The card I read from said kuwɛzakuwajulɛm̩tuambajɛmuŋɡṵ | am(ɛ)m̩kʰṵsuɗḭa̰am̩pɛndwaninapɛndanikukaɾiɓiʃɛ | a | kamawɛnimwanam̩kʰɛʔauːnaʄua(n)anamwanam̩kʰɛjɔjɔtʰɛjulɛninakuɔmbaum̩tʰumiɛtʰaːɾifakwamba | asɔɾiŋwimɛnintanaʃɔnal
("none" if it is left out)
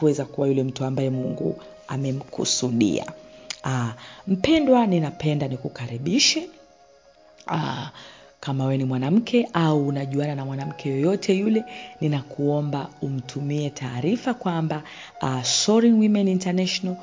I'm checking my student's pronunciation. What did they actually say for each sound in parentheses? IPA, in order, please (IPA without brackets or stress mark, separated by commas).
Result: ɛ, n